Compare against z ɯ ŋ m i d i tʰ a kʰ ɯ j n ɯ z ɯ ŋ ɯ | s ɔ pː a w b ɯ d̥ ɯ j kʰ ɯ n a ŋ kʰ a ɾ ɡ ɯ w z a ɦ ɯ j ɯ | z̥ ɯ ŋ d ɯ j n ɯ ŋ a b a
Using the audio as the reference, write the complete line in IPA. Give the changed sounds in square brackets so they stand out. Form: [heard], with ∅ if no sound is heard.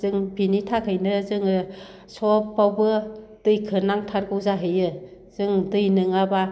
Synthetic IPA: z ɯ ŋ [b] i [n] i tʰ a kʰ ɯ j n ɯ z ɯ ŋ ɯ | s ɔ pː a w b ɯ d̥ ɯ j kʰ ɯ n a ŋ [tʰ] a ɾ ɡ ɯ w z a ɦ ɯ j ɯ | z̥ ɯ ŋ d ɯ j n ɯ ŋ a b a